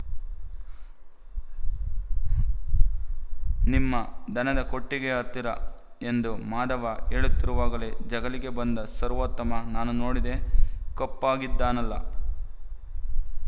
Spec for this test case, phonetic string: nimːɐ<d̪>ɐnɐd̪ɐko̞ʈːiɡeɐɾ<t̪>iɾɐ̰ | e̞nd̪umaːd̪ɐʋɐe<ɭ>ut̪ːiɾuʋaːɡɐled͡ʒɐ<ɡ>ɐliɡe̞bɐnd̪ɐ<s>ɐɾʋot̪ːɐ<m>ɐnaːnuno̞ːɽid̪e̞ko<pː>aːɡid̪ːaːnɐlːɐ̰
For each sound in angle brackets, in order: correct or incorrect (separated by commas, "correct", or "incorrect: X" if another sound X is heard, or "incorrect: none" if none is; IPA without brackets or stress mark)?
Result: correct, correct, correct, correct, correct, correct, correct